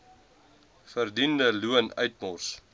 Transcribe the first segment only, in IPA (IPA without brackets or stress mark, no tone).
f